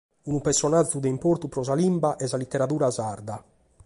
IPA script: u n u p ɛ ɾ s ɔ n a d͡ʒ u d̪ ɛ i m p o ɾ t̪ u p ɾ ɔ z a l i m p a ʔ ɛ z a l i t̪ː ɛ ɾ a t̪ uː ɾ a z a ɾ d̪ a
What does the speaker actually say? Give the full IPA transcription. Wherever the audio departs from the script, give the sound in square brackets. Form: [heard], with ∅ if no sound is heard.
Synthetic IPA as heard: u n u p ɛ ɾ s ɔ n a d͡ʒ u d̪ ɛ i m p o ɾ t̪ u p ɾ ɔ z a l i m [b] a ʔ ɛ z a l i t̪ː ɛ ɾ a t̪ uː ɾ a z a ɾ d̪ a